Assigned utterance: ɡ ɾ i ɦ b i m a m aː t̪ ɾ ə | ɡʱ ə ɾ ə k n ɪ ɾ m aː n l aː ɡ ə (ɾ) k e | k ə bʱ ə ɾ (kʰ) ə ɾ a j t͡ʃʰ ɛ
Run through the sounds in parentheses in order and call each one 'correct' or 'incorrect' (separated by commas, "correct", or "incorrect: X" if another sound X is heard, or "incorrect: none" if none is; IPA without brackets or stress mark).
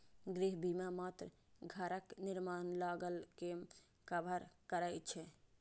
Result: incorrect: l, incorrect: k